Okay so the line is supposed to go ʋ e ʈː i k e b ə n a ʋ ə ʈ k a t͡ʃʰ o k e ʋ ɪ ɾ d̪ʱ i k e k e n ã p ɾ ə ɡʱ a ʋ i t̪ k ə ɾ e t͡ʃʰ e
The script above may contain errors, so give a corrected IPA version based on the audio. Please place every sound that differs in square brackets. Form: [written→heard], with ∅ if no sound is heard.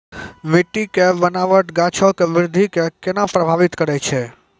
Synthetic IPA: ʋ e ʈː i k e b ə n a ʋ ə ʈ [k→ɡ] a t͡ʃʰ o k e ʋ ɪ ɾ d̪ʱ i k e k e n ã p ɾ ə [ɡʱ→bʱ] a ʋ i t̪ k ə ɾ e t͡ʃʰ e